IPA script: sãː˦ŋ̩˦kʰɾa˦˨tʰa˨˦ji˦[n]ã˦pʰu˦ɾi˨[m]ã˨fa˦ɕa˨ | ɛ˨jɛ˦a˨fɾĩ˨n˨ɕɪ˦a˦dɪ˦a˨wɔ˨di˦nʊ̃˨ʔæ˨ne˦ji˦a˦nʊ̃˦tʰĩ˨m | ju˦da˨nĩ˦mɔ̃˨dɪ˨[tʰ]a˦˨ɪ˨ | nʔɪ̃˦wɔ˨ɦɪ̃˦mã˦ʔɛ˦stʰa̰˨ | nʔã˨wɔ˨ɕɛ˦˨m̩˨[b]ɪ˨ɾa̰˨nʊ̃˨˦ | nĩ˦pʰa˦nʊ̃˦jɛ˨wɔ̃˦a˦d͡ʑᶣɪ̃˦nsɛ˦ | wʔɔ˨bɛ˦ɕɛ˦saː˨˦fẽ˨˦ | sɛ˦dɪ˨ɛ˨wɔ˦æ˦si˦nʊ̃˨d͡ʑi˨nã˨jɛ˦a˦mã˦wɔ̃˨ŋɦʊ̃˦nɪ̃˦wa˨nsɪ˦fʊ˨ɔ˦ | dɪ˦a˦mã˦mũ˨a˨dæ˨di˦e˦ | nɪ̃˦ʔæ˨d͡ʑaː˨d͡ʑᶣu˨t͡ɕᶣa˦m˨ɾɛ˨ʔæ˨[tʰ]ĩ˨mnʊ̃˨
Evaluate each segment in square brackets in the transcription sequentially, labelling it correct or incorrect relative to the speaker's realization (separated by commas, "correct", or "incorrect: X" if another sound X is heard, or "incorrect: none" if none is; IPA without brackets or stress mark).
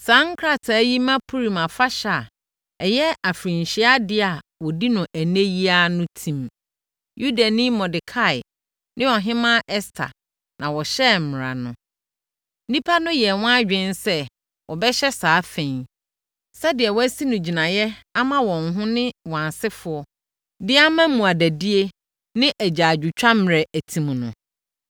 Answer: incorrect: m, correct, incorrect: kʰ, incorrect: m, correct